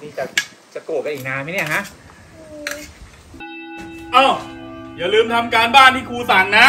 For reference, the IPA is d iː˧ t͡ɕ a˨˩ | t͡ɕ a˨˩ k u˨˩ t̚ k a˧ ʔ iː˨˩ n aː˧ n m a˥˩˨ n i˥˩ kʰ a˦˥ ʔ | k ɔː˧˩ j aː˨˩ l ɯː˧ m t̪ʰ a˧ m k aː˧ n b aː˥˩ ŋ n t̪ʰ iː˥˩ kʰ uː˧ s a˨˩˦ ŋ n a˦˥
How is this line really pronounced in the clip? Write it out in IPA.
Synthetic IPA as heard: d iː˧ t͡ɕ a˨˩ | t͡ɕ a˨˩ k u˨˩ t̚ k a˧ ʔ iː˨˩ n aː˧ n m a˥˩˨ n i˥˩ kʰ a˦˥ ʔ | ʔ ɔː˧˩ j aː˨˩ l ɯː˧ m t̪ʰ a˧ m k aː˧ n b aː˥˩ n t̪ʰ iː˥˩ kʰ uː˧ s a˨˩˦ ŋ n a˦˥